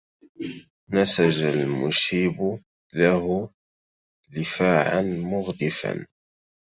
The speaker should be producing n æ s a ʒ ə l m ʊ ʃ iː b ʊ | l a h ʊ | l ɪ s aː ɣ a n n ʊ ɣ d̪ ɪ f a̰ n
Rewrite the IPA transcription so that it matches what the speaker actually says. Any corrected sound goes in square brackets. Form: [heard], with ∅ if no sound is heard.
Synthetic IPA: n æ s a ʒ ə l m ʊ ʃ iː b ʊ | l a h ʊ | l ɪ [f] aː [ʕ] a n [m] ʊ ɣ d̪ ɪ f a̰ n